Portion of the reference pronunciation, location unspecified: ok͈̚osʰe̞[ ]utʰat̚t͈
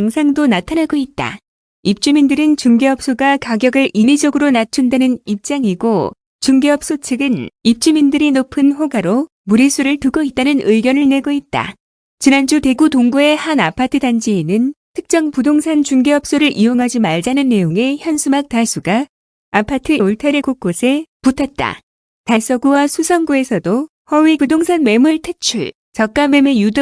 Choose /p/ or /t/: p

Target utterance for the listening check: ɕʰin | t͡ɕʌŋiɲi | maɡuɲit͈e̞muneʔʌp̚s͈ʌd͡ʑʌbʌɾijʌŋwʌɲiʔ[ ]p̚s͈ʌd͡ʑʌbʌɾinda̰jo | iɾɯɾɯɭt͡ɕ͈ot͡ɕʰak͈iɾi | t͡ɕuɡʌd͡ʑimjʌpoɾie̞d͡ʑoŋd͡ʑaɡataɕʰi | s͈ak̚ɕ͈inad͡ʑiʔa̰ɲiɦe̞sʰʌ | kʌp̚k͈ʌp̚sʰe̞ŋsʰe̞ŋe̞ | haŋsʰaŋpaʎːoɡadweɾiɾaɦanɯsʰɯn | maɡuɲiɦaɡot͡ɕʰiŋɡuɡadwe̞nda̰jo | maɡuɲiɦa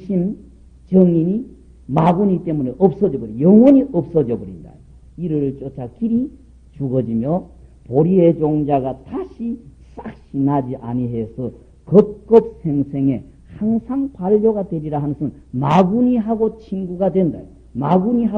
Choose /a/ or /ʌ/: ʌ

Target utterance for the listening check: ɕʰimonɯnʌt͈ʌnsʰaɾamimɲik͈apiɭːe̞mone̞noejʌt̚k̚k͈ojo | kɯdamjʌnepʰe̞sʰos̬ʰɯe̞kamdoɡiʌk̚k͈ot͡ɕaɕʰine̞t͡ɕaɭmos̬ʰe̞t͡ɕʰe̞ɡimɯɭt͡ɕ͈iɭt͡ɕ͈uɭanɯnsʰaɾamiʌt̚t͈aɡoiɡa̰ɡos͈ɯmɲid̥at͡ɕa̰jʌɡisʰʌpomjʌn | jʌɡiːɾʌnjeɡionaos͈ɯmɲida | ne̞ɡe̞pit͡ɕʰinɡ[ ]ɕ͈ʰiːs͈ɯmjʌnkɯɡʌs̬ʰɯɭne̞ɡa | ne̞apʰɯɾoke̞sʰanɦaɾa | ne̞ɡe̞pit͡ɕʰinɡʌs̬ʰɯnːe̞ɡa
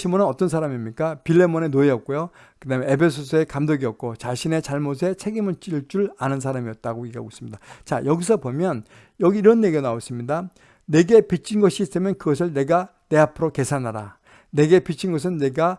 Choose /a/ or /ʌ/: ʌ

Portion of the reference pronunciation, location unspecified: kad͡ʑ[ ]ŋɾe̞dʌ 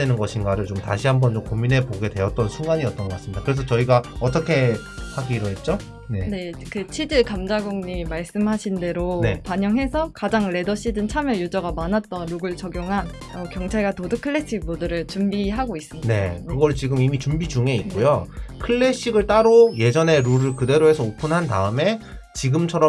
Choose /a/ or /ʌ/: a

